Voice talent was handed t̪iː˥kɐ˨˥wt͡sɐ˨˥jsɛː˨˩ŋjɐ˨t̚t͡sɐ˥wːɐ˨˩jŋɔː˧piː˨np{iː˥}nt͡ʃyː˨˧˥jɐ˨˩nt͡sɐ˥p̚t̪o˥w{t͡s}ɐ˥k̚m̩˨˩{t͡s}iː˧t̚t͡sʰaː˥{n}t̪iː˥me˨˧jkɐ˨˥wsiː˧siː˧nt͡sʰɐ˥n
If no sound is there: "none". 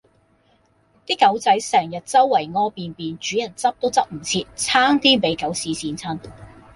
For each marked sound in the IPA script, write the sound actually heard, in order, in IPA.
iː˨, t͡s, t͡sʰ, ŋ

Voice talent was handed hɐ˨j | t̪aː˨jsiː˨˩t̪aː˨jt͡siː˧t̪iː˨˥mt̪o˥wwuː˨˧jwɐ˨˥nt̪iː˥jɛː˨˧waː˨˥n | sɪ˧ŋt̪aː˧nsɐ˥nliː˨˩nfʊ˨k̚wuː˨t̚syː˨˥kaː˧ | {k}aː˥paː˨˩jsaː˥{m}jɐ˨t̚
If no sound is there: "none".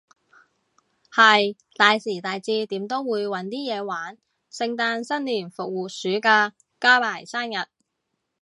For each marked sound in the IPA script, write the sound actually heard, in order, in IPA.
k, n

